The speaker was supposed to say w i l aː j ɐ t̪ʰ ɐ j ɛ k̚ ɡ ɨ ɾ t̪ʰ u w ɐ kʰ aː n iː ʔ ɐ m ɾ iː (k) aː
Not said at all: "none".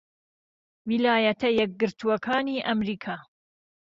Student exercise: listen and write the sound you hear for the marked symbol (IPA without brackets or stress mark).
kʰ